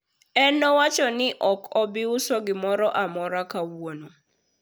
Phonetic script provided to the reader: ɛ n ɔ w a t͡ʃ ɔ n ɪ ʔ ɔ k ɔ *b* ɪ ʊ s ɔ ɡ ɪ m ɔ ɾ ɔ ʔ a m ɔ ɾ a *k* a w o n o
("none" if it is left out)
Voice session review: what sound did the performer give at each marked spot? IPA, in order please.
b, k

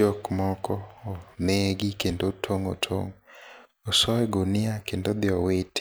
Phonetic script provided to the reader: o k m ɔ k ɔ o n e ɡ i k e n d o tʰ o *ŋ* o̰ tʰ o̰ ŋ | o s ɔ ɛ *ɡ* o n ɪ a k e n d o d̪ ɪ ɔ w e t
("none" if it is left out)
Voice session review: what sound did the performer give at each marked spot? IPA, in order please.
ŋ, ɡ

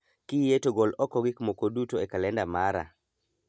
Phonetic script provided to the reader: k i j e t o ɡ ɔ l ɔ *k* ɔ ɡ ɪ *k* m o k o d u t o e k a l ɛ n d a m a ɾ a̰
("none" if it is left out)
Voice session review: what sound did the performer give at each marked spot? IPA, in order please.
k, k

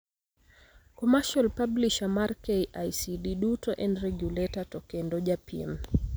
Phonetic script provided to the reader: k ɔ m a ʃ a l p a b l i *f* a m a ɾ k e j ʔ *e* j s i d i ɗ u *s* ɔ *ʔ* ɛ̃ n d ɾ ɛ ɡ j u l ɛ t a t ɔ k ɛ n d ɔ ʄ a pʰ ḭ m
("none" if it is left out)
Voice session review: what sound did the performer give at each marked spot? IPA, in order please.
ʃ, a, t, ʔ

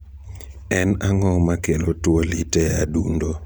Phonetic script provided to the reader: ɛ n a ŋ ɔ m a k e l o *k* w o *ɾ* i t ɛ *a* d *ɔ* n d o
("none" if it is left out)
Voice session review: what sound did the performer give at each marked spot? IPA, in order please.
t, l, a, u

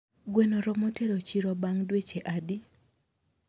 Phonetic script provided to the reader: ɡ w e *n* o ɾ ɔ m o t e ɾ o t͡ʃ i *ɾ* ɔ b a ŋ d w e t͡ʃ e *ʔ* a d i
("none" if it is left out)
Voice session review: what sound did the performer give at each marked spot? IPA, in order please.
n, ɾ, ʔ

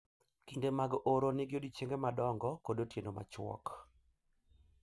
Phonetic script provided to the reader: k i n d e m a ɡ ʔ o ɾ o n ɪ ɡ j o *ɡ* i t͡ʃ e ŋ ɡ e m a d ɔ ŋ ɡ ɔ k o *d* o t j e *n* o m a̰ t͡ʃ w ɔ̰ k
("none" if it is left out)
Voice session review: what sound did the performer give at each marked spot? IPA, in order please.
d, d, n

